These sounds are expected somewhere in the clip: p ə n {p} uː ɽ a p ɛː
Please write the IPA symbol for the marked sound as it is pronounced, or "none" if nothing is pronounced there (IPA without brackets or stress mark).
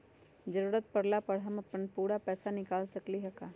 p